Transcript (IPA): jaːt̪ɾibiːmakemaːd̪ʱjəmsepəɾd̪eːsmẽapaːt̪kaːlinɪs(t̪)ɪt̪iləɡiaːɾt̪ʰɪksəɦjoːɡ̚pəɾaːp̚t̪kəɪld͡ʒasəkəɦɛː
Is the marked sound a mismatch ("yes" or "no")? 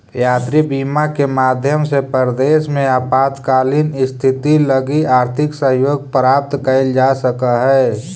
yes